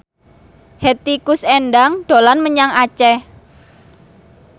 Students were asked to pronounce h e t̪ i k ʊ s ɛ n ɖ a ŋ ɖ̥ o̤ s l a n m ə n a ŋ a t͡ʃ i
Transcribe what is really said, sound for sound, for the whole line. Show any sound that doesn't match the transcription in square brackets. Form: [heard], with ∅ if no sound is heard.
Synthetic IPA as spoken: h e t̪ i k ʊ s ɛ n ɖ a ŋ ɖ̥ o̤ [∅] l a n m ə [ɲ] a ŋ a t͡ʃ [ɛ]